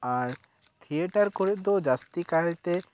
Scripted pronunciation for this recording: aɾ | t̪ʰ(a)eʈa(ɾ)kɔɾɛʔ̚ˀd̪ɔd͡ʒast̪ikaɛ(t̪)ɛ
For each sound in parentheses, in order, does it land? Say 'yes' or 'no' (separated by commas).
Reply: no, yes, yes